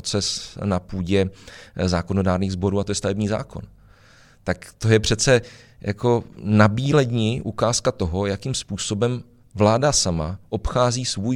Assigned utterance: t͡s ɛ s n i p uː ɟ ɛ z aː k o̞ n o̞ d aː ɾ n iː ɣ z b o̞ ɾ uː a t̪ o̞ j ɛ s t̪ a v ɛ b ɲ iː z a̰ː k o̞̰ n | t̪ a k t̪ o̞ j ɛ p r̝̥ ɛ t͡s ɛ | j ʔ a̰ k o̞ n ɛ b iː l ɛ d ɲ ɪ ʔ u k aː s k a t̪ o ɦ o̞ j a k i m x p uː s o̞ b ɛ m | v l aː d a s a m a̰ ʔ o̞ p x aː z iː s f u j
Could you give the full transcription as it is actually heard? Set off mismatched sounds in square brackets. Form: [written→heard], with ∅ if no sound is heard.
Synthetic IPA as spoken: t͡s ɛ s n [i→a] p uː ɟ ɛ z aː k o̞ n o̞ d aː ɾ n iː ɣ z b o̞ ɾ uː a t̪ o̞ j ɛ s t̪ a v ɛ b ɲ iː z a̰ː k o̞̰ n | t̪ a k t̪ o̞ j ɛ p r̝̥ ɛ t͡s ɛ | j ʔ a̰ k o̞ n [ɛ→a] b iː l ɛ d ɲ ɪ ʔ u k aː s k a t̪ o ɦ o̞ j a k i m [x→s] p uː s o̞ b ɛ m | v l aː d a s a m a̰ ʔ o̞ p x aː z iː s [f→v] u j